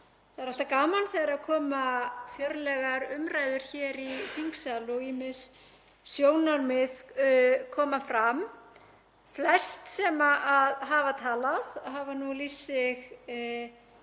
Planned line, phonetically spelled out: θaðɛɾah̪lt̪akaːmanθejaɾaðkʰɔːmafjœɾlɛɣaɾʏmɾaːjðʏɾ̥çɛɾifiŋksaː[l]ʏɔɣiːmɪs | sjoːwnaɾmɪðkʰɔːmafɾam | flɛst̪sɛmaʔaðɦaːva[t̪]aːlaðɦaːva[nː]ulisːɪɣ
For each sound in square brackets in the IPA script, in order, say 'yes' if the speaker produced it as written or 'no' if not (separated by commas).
yes, no, no